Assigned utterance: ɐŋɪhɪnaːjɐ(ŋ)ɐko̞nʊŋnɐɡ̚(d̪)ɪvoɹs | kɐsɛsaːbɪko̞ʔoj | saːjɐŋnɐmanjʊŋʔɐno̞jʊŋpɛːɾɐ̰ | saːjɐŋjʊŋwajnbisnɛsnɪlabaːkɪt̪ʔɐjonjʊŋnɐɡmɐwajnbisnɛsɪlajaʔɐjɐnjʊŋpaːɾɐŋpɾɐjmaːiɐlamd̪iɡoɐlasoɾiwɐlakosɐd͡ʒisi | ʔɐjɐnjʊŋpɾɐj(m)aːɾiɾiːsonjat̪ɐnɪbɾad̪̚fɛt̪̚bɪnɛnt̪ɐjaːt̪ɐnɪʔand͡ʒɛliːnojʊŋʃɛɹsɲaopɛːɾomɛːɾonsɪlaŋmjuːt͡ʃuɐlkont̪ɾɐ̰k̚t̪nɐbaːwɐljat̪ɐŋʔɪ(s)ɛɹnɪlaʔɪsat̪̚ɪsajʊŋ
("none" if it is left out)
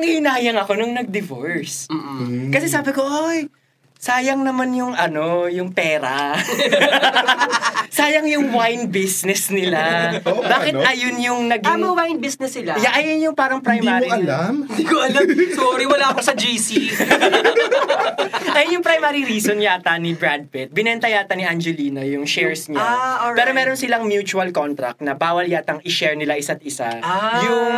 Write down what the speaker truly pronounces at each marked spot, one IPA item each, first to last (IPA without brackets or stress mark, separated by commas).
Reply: ŋ, d̪, m, ʃ